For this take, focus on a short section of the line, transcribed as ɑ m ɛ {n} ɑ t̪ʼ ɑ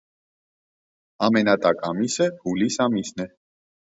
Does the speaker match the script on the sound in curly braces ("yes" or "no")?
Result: yes